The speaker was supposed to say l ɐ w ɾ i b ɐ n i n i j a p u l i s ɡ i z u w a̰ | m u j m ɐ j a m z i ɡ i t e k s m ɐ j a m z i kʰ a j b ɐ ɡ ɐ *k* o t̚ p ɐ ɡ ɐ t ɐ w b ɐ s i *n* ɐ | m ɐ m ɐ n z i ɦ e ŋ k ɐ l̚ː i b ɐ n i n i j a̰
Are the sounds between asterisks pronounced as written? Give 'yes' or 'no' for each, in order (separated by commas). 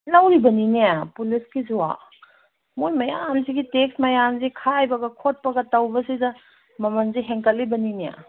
no, no